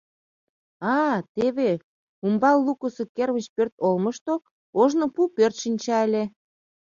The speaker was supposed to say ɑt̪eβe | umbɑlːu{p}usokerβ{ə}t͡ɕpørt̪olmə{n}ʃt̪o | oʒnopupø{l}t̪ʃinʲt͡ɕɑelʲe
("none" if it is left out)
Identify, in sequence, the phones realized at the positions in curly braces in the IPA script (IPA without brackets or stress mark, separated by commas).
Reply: k, ə, none, r